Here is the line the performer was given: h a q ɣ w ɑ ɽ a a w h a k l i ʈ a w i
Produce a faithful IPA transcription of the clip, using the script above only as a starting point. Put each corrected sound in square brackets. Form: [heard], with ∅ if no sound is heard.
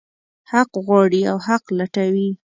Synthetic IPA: h a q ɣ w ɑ ɽ [i] a w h a [q] l [a] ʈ a w i